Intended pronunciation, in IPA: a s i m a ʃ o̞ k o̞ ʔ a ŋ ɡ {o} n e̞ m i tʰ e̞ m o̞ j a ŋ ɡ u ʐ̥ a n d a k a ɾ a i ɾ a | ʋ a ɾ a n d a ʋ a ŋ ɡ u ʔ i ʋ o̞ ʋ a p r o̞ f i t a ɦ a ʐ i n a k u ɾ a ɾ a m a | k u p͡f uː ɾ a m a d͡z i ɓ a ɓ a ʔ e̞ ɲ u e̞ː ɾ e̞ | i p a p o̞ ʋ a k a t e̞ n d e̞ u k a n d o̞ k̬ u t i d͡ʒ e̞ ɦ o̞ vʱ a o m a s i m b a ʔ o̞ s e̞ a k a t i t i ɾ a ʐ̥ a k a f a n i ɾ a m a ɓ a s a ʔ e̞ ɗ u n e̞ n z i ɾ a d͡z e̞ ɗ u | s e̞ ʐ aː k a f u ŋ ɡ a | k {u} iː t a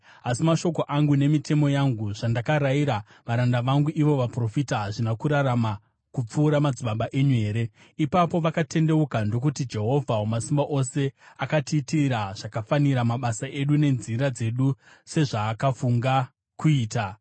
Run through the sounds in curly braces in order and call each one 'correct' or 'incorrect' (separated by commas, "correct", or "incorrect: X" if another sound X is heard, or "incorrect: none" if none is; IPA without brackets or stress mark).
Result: incorrect: u, correct